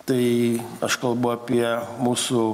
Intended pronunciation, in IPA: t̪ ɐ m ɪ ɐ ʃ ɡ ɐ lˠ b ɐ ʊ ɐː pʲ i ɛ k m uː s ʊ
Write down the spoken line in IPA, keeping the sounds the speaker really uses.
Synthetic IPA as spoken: t̪ ɐ ɪ ɐ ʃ k ɐ lˠ b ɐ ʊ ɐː pʲ i ɛ m uː s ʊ